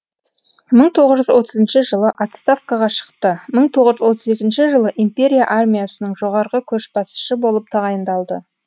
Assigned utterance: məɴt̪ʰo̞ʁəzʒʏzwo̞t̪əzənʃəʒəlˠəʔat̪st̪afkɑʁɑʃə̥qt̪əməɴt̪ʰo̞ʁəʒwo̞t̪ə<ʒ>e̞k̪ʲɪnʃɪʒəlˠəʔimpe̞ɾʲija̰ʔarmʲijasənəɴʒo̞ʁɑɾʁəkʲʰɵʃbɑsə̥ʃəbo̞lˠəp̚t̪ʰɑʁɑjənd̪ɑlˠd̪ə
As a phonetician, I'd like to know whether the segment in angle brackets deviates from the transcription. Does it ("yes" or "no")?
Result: yes